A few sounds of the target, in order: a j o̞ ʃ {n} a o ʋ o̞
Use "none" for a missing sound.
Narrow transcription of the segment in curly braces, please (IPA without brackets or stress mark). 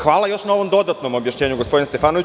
n